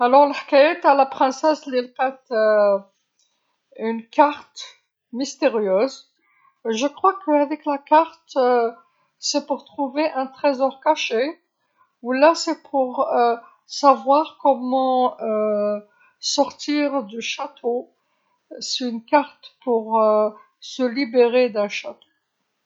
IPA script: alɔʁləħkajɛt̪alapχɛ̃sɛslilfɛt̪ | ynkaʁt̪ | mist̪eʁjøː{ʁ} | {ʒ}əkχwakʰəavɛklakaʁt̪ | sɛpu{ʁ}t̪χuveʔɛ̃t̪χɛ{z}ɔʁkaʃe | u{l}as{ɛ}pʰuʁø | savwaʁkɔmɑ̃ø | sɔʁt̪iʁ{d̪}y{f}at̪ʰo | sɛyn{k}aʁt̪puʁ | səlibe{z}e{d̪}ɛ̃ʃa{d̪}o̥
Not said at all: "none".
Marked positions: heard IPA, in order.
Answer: z, ʒ, ʁ, z, l, ɛ, d̪, ʃ, k, ʁ, d̪, t̪

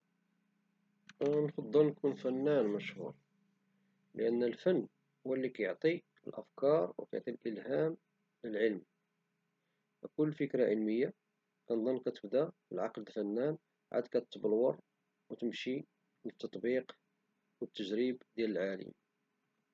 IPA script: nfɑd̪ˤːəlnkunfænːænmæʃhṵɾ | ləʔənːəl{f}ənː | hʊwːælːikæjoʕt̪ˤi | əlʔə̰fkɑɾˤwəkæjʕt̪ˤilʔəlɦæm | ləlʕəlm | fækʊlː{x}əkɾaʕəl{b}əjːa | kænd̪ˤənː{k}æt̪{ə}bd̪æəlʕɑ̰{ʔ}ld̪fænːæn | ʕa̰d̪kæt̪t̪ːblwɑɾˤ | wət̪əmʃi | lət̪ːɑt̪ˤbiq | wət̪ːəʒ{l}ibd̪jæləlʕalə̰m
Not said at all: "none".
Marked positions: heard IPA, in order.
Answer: f, f, m, k, ə, q, ɾ

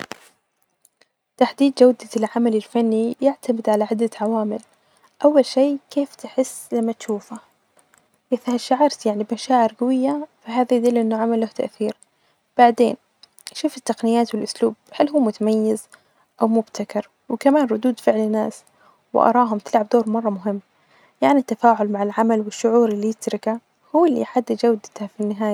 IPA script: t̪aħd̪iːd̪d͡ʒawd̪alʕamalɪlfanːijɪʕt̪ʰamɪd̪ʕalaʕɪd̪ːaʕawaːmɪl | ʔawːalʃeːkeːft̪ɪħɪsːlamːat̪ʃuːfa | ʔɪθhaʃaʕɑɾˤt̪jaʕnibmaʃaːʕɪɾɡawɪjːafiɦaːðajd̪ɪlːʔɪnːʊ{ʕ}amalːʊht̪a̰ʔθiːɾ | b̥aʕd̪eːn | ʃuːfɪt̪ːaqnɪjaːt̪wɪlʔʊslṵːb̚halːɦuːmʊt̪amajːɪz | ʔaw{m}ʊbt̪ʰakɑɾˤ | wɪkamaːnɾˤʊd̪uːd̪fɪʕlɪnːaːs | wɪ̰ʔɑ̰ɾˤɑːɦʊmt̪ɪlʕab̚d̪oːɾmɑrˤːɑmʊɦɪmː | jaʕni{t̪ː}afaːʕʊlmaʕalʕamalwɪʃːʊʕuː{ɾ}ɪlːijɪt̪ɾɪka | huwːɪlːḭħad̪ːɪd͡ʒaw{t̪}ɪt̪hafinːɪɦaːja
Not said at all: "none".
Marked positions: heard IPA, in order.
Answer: ʕ, m, t̪ː, ɾ, d̪

